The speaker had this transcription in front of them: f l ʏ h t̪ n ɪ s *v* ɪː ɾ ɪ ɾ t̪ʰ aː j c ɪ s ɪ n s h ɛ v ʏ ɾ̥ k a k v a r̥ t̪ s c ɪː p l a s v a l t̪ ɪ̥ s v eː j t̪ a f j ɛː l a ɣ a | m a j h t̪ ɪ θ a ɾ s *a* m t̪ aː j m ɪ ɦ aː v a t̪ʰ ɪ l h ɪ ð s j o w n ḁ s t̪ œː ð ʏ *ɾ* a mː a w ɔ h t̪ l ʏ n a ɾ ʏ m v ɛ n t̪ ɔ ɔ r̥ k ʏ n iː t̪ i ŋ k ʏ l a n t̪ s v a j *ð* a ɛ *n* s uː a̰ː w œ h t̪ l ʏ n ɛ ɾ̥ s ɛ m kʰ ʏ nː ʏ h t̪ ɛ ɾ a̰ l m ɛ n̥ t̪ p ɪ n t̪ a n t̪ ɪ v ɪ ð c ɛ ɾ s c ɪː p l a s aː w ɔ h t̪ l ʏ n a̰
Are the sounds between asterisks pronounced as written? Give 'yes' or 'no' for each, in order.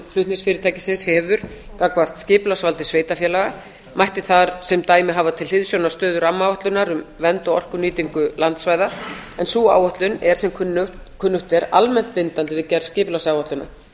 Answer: no, no, yes, yes, yes

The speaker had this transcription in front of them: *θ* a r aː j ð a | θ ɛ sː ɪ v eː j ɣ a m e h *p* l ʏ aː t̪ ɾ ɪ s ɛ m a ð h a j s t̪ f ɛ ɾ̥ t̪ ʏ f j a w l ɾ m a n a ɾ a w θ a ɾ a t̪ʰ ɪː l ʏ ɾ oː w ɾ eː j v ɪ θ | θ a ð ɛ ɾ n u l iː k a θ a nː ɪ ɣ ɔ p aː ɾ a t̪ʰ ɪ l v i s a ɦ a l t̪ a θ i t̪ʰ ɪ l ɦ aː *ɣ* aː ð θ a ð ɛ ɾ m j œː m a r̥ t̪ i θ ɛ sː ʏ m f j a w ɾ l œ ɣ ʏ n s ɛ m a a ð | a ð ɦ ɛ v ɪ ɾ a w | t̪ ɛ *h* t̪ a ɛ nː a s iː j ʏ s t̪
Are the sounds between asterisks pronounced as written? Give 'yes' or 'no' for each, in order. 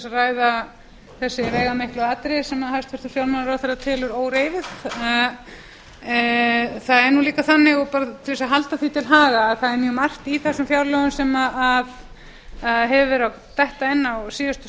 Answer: no, no, yes, yes

